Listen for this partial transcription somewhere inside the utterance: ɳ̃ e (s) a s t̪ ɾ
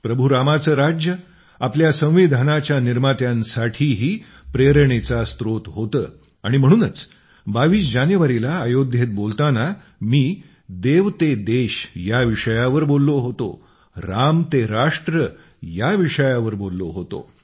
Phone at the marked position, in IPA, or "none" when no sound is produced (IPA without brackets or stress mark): t͡s